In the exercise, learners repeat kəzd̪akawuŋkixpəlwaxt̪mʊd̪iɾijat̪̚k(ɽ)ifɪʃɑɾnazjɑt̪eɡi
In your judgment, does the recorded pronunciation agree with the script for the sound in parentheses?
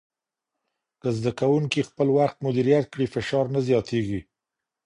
yes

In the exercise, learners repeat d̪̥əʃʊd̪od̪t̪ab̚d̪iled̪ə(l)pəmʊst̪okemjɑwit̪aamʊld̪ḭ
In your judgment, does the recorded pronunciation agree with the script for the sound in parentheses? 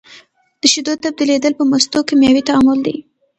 yes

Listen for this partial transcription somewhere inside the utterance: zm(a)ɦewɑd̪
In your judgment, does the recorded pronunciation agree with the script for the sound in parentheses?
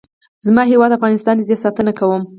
no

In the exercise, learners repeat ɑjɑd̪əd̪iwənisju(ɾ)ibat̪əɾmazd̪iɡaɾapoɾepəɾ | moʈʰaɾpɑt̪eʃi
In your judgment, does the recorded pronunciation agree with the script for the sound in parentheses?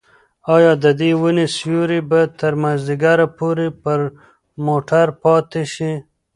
yes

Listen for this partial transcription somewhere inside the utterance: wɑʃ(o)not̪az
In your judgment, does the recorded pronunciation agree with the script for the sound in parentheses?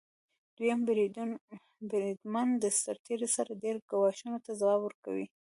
no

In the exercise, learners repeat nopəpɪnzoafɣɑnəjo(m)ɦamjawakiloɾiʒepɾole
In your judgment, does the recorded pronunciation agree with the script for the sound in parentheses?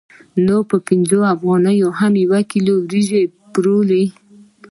no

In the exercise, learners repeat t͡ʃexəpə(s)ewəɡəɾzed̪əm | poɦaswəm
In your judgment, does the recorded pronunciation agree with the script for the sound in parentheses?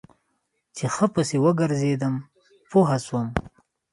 yes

